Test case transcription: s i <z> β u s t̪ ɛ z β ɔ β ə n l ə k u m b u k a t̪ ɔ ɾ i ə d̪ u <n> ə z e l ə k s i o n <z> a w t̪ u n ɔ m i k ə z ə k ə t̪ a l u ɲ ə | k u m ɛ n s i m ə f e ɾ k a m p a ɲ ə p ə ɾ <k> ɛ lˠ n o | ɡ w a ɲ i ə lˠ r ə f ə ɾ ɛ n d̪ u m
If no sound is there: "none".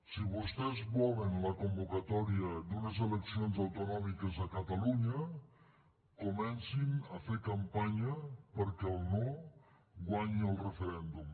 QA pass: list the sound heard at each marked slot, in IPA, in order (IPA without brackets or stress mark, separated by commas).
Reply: none, n, z, k